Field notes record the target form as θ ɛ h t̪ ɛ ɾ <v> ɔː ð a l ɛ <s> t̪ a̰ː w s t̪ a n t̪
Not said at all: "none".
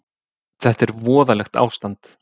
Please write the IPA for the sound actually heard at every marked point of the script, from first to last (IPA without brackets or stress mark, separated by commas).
v, x